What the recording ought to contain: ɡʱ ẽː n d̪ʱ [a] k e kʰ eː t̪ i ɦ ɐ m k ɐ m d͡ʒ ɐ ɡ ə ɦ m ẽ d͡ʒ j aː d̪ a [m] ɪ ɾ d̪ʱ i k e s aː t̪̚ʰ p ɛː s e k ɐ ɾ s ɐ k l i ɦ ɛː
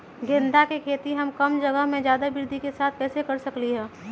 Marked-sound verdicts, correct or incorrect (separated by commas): correct, incorrect